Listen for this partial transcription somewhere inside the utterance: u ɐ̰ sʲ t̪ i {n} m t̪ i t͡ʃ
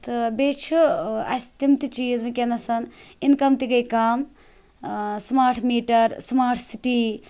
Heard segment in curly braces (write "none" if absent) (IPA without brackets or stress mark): none